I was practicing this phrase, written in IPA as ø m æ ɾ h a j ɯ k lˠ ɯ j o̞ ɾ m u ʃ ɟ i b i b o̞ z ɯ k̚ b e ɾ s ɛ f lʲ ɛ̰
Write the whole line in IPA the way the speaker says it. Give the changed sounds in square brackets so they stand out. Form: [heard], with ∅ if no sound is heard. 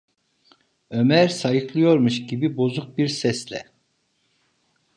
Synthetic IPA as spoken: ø m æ ɾ [s] a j ɯ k lˠ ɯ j o̞ ɾ m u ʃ ɟ i b i b o̞ z [u] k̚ b [i] ɾ s ɛ [s] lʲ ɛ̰